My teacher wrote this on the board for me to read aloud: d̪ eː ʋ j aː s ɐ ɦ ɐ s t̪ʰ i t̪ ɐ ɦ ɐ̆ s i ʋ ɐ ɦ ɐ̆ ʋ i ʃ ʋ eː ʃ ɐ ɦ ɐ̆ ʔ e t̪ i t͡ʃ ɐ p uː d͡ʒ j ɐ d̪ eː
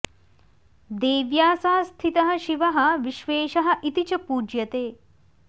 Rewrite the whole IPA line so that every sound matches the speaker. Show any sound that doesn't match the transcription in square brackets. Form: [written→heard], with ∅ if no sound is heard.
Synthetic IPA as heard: d̪ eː ʋ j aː s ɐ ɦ ɐ s t̪ʰ i t̪ ɐ ɦ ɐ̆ [s→ʃ] i ʋ ɐ ɦ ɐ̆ ʋ i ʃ ʋ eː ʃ ɐ ɦ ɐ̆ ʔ [e→i] t̪ i t͡ʃ ɐ p uː d͡ʒ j ɐ [d̪→t̪] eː